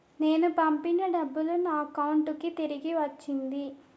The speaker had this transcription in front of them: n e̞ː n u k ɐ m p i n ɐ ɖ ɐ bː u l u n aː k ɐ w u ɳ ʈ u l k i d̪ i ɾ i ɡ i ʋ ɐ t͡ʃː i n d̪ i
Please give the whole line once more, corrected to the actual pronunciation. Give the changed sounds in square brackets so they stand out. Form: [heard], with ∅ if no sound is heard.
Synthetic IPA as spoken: n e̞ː n u [p] ɐ m p i n ɐ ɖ ɐ bː u l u n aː k ɐ w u ɳ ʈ u [∅] k i [t̪] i ɾ i ɡ i ʋ ɐ t͡ʃː i n d̪ i